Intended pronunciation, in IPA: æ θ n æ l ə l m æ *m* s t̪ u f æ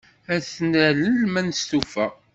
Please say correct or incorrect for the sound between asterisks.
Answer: incorrect: n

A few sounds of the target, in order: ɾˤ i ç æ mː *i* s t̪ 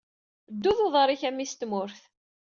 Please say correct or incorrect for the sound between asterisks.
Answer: correct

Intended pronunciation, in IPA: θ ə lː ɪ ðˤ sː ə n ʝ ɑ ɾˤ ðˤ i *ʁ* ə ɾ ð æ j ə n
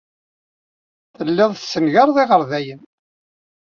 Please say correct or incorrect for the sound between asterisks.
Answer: correct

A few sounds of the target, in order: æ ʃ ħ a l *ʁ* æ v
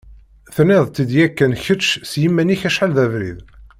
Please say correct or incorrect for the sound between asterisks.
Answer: incorrect: ð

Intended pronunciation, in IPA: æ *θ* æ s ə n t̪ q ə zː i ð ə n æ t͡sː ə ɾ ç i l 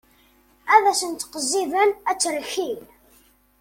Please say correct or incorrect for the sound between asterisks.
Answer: incorrect: ð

